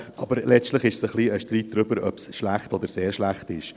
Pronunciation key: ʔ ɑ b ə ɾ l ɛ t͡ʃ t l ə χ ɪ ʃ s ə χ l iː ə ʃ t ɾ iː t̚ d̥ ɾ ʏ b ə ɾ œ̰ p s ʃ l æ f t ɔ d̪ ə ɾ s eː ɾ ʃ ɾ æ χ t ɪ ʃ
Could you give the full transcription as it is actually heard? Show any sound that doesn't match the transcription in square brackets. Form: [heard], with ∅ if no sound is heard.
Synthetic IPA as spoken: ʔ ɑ b ə ɾ l ɛ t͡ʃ t l ə χ ɪ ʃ s ə χ l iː ə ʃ t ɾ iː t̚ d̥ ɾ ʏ b ə ɾ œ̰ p s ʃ l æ [χ] t ɔ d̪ ə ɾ s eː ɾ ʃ [l] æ χ t ɪ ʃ